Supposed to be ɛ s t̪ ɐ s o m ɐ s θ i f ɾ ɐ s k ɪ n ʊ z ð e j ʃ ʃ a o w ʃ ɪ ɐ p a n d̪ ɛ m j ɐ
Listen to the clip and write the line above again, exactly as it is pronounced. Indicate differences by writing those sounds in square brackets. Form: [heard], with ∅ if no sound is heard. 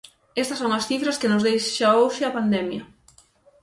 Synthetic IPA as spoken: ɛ s t̪ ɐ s o [ŋ] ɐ s θ i f ɾ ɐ s k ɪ n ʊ z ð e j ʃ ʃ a o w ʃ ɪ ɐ p a n d̪ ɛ m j ɐ

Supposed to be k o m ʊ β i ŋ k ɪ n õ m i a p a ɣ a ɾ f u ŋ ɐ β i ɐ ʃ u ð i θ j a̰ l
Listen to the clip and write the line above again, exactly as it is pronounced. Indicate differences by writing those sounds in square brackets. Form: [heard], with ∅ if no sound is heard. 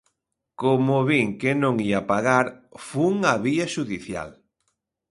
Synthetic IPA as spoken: k o m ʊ β i ŋ k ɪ n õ [ŋ] i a p a ɣ a ɾ f u ŋ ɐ β i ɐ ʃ u ð i θ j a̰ l

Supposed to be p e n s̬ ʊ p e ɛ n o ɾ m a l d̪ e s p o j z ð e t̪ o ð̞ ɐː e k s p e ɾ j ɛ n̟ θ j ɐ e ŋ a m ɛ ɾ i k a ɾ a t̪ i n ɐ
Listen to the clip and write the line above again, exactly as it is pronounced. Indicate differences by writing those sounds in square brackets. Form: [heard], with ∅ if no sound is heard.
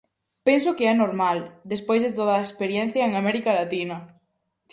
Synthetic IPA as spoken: p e n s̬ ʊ [k] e ɛ n o ɾ m a l d̪ e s p o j z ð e t̪ o ð̞ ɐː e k s p e ɾ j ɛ n̟ θ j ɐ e ŋ a m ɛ ɾ i k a [l] a t̪ i n ɐ

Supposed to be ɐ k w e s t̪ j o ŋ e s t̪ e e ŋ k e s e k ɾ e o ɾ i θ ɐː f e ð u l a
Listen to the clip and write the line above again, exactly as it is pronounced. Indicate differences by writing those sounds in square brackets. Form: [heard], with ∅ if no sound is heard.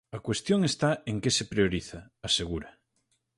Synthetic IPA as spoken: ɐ k w e s t̪ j o ŋ e s t̪ [a] e ŋ k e s e [p] ɾ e o ɾ i θ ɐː [s] e [ɣ] u [ɾ] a

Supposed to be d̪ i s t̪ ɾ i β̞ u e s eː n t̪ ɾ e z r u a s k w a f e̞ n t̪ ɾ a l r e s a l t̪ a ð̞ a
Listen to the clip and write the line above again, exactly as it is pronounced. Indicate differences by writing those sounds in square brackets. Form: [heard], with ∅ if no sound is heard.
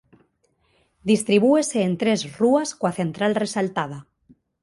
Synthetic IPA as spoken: d̪ i s t̪ ɾ i β̞ u e s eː n t̪ ɾ e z r u a s k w a [θ] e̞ n t̪ ɾ a l r e s a l t̪ a ð̞ a

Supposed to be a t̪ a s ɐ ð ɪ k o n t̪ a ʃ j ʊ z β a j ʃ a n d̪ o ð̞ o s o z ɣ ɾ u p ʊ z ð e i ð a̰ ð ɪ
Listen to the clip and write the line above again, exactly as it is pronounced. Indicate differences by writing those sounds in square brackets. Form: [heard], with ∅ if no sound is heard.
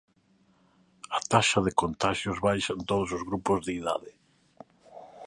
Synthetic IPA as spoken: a t̪ a [ʃ] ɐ ð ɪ k o n t̪ a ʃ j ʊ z β a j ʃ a n [t̪] o ð̞ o s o z ɣ ɾ u p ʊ z ð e i ð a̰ ð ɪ

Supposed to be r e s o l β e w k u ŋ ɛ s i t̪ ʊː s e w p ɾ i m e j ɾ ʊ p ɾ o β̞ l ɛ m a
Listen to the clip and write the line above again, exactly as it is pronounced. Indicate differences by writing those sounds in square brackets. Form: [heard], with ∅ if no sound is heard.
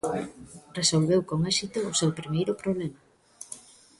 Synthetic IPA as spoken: r e s o l β e w k [o] ŋ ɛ s i t̪ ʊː s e w p ɾ i m e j ɾ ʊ p ɾ o β̞ l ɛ m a

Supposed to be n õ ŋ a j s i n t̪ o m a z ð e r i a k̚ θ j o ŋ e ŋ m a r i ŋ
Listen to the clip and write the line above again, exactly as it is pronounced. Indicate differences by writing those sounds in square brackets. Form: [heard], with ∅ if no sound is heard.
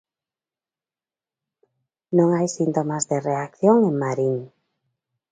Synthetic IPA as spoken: n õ ŋ a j s i n t̪ o m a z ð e r [e] a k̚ θ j o ŋ e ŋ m a [ɾ] i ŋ

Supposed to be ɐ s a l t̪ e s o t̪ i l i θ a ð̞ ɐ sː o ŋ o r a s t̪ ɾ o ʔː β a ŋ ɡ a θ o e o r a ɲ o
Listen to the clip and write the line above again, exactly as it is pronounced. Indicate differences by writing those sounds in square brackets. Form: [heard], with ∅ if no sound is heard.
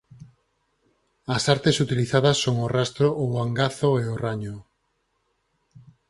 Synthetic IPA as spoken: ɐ s a [ɾ] t̪ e s [u] t̪ i l i θ a ð̞ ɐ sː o ŋ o r a s t̪ ɾ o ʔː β a ŋ ɡ a θ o e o r a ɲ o

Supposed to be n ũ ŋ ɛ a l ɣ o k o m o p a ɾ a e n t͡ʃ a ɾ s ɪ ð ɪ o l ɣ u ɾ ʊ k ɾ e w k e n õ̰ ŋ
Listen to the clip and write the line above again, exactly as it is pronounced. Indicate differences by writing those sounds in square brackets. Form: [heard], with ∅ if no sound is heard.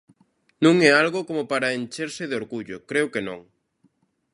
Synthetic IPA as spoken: n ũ ŋ ɛ a l ɣ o k o m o p a ɾ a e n t͡ʃ [e] ɾ s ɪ ð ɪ o [ɾ] ɣ u [ʎ] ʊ k ɾ e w k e n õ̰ ŋ

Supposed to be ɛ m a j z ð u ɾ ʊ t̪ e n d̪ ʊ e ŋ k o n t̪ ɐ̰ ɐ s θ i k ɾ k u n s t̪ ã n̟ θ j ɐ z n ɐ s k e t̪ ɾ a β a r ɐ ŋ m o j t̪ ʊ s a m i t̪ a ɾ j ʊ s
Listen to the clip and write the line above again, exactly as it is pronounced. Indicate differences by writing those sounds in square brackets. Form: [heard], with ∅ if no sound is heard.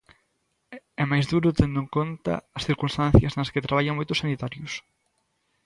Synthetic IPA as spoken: ɛ m a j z ð u ɾ ʊ t̪ e n d̪ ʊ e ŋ k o n t̪ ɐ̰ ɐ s θ i [∅] ɾ k u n s t̪ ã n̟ θ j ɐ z n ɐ s k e t̪ ɾ a β a [ʎ] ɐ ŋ m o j t̪ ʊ s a [n] i t̪ a ɾ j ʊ s

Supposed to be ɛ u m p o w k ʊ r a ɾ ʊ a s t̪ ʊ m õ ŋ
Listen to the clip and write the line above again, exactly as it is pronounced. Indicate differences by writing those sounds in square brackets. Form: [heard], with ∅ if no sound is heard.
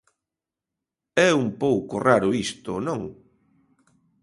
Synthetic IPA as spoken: ɛ u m p o w k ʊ r a ɾ ʊ [i] s t̪ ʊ [n] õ ŋ

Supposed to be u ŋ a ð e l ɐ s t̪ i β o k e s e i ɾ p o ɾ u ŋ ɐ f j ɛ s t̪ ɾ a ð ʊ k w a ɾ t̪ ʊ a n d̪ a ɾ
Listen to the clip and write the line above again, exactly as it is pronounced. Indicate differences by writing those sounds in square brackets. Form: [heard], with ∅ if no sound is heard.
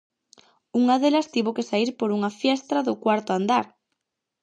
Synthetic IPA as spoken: u ŋ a ð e l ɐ s t̪ i β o k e s [a] i ɾ p o ɾ u ŋ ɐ f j ɛ s t̪ ɾ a ð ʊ k w a ɾ t̪ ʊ a n d̪ a ɾ

